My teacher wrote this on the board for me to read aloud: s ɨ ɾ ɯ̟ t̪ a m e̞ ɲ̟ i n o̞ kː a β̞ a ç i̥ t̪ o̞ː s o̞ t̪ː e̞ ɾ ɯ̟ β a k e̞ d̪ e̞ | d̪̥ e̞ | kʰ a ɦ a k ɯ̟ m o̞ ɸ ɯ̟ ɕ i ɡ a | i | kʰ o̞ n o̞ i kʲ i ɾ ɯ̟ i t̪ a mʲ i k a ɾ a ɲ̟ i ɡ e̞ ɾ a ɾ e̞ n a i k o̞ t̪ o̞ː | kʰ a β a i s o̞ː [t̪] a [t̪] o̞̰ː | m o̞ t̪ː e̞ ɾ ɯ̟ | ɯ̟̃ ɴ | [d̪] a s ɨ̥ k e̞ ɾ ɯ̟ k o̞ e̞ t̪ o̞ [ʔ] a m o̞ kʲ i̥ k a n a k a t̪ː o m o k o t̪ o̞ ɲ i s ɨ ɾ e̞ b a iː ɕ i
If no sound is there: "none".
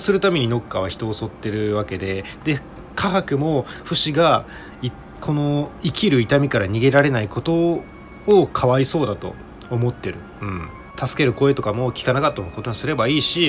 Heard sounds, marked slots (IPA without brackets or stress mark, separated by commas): d̪, t̪, t̪, k